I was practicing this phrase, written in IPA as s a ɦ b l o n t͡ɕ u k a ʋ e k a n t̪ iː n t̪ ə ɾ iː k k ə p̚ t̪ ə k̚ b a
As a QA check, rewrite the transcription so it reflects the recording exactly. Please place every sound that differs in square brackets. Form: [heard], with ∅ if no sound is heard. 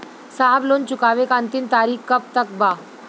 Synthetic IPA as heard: s a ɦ b l o n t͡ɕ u k a ʋ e k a n t̪ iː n t̪ [a] ɾ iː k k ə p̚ t̪ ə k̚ b a